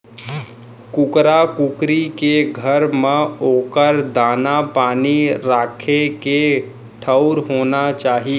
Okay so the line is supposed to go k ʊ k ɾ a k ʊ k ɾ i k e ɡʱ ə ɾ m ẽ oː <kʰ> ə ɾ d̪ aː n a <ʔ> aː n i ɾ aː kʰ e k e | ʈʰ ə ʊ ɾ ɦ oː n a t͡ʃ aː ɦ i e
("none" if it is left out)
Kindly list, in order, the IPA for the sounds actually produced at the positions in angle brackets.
k, p

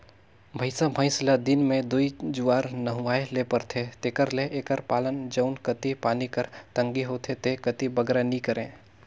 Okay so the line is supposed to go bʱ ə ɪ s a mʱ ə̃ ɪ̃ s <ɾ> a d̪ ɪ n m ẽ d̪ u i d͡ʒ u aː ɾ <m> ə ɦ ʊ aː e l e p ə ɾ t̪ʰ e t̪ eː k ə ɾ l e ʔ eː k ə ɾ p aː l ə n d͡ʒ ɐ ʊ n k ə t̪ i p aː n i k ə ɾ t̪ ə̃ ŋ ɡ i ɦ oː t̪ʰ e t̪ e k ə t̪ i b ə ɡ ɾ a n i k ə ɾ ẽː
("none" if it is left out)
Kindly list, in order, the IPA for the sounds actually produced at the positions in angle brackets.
l, n

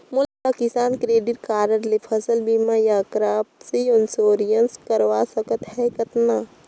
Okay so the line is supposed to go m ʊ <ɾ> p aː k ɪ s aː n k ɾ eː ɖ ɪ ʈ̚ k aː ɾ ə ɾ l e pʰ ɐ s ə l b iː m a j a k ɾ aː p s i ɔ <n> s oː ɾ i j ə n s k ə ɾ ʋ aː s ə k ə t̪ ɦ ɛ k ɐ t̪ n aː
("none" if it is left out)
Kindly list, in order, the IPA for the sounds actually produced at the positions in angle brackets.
l, n

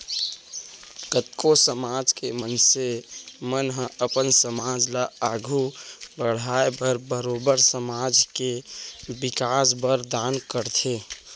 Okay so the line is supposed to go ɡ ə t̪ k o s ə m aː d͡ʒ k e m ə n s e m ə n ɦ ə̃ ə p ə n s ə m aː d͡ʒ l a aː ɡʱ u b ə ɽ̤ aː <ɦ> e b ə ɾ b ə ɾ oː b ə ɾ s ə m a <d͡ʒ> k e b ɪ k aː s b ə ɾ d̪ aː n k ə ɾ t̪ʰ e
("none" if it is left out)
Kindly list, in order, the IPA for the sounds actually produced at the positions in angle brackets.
none, d͡ʒ

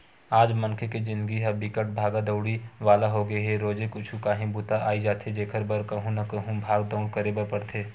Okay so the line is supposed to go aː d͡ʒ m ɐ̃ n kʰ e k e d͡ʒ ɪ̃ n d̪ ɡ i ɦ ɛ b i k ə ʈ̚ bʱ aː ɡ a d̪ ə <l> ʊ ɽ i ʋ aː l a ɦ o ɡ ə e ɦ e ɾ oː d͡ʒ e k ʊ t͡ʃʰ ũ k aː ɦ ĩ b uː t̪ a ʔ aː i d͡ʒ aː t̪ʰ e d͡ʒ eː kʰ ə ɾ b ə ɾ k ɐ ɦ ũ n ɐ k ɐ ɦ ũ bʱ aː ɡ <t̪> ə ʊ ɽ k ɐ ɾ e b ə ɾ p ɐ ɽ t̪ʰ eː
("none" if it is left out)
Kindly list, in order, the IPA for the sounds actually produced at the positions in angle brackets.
none, d̪

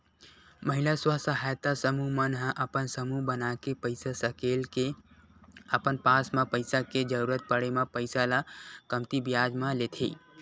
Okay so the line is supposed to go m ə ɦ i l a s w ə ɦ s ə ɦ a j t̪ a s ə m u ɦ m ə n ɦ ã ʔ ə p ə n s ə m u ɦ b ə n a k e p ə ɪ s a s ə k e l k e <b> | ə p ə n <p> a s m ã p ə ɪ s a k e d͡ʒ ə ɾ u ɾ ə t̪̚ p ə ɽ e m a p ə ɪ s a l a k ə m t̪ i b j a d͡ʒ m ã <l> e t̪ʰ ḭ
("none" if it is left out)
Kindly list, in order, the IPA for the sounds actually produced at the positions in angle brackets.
none, p, l

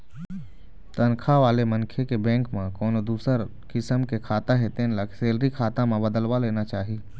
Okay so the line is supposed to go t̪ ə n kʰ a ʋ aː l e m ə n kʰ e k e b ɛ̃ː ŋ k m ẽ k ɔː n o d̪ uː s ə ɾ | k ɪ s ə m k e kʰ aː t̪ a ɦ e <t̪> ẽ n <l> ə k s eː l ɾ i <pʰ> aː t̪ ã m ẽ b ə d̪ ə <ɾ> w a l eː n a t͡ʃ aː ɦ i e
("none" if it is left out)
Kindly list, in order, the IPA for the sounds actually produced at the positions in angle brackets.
t̪, l, kʰ, l

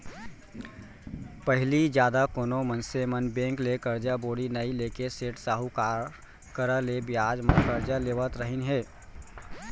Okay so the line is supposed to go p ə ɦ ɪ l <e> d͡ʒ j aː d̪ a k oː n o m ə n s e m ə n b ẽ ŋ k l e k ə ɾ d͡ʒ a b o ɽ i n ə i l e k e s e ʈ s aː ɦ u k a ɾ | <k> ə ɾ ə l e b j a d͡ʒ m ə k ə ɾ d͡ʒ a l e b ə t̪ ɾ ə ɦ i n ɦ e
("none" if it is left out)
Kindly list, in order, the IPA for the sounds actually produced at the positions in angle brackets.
i, k

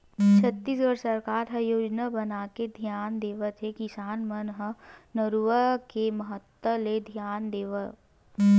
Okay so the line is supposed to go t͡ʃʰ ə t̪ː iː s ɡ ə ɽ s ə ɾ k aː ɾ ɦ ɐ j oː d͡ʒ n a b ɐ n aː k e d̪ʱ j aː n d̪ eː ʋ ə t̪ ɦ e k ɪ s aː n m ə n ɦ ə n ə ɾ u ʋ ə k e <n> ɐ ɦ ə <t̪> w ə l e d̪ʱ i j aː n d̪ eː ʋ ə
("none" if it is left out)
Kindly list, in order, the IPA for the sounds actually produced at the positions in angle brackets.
m, t̪

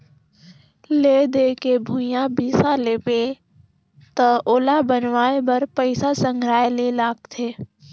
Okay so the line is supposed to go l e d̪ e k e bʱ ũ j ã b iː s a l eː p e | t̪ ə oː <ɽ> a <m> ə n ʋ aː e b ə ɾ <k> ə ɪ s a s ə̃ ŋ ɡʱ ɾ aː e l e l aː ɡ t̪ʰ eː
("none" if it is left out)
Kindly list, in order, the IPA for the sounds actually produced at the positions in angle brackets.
l, b, p

